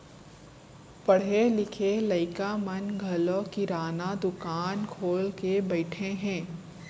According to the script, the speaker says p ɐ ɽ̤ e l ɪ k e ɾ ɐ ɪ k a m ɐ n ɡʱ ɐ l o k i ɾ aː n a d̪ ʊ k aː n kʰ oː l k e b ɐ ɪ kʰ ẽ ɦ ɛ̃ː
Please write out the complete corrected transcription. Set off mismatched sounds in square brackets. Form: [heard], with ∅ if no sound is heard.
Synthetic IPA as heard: p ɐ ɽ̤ e l ɪ [kʰ] e [l] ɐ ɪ k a m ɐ n ɡʱ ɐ l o k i ɾ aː n a d̪ ʊ k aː n kʰ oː l k e b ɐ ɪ [ʈʰ] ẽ ɦ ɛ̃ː

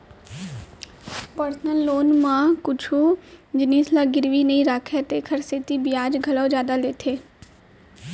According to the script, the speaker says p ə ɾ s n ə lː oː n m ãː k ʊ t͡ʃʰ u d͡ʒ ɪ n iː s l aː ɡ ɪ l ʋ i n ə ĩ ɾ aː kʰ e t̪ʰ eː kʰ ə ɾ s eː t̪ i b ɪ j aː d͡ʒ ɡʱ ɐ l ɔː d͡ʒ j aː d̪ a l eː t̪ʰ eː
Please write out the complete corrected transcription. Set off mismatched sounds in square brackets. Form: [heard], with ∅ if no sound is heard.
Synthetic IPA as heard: p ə ɾ s n ə lː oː n m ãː k ʊ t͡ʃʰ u d͡ʒ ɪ n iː s l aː ɡ ɪ [ɾ] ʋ i n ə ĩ ɾ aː kʰ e [t̪] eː kʰ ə ɾ s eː t̪ i b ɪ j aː d͡ʒ ɡʱ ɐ l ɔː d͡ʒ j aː d̪ a l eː t̪ʰ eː

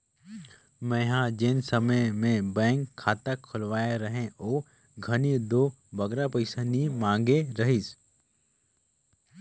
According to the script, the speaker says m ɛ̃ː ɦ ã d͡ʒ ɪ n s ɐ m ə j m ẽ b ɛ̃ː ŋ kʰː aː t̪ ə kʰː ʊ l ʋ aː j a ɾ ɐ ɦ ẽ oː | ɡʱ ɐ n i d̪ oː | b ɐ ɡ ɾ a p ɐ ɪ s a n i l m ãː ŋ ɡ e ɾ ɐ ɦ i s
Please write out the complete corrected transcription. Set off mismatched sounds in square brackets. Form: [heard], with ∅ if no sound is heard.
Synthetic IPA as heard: m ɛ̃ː ɦ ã d͡ʒ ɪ n s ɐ m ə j m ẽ b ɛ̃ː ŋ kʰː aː t̪ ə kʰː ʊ l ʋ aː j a ɾ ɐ ɦ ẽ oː | ɡʱ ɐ n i d̪ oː | b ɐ ɡ ɾ a p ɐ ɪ s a n i [∅] m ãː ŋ ɡ e ɾ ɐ ɦ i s

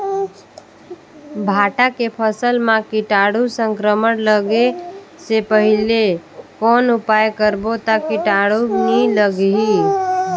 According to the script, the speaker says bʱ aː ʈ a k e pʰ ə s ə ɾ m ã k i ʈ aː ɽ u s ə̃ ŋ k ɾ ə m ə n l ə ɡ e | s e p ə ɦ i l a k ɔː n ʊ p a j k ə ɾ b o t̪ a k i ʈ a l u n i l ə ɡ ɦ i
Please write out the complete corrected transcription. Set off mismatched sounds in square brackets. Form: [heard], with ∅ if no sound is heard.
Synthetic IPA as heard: bʱ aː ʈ a k e pʰ ə s ə [l] m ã k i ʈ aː ɽ u s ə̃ ŋ k ɾ ə m ə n l ə ɡ e | s e p ə ɦ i l [e] k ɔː n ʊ p a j k ə ɾ b o t̪ a k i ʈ a [ɽ] u n i l ə ɡ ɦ i

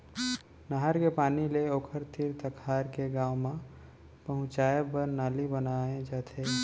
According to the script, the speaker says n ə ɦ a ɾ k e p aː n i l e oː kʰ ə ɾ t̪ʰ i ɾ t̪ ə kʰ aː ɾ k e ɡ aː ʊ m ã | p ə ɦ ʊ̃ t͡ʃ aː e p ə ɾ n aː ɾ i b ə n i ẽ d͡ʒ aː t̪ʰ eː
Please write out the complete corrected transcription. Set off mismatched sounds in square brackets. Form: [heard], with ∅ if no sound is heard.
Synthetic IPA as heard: n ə ɦ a ɾ k e p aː n i l e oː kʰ ə ɾ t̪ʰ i ɾ t̪ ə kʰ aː ɾ k e ɡ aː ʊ m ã | p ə ɦ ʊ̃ t͡ʃ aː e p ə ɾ n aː [l] i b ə n [a] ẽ d͡ʒ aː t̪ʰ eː

